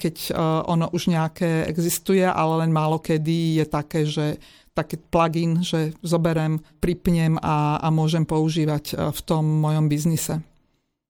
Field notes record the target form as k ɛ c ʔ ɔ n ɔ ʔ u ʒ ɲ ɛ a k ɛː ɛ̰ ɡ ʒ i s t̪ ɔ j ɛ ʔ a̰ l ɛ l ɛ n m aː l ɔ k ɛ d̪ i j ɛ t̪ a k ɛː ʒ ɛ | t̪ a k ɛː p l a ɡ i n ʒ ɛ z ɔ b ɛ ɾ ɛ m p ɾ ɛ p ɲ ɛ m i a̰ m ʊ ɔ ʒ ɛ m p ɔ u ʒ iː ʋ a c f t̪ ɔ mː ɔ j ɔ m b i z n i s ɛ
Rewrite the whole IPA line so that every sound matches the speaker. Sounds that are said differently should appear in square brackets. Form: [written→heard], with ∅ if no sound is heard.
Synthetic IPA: k ɛ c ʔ ɔ n ɔ ʔ u ʒ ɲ ɛ a k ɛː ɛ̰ ɡ [ʒ→z] i s t̪ [ɔ→u] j ɛ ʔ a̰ l ɛ l ɛ n m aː l ɔ k ɛ d̪ i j ɛ t̪ a k ɛː ʒ ɛ | t̪ a k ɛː p l a ɡ i n ʒ ɛ z ɔ b ɛ ɾ ɛ m p ɾ [ɛ→i] p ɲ ɛ m [i→a] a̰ m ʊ ɔ ʒ ɛ m p ɔ u ʒ iː ʋ a c f t̪ ɔ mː ɔ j ɔ m b i z n i s ɛ